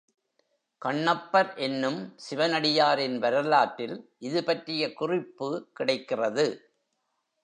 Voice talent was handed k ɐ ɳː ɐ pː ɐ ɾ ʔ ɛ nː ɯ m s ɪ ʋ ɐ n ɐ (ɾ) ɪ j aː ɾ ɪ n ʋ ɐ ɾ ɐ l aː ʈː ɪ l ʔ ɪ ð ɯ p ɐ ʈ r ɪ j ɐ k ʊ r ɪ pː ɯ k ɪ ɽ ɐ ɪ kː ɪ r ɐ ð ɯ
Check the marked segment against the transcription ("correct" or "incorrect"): incorrect